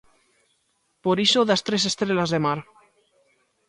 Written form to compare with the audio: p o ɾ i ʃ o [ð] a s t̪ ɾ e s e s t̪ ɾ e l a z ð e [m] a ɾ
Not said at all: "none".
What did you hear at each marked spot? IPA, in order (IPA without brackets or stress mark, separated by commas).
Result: ð, m